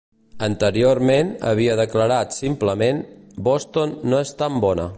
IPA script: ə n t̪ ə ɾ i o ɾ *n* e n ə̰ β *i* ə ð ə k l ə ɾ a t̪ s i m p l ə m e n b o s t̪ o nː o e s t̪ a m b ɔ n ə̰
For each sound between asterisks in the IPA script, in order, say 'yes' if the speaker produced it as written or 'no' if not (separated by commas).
no, yes